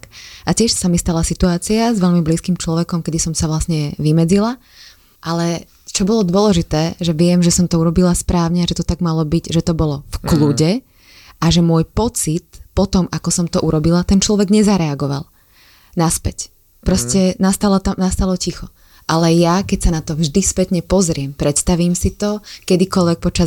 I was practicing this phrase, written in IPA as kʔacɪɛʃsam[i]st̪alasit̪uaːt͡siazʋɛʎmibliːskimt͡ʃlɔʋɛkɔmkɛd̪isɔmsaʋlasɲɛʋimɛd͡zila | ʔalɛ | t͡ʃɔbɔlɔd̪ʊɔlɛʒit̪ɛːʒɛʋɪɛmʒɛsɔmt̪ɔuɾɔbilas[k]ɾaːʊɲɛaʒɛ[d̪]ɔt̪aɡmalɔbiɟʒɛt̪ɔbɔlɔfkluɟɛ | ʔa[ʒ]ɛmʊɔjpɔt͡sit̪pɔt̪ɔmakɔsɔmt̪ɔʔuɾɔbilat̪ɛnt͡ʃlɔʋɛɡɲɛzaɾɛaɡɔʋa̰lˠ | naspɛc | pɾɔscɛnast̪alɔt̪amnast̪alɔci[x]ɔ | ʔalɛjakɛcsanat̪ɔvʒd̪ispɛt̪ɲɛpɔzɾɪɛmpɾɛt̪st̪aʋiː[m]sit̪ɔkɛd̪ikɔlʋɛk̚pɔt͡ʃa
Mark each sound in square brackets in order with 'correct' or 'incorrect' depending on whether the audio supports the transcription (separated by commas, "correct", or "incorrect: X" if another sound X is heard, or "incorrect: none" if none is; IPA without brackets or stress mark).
correct, incorrect: p, incorrect: t̪, correct, correct, correct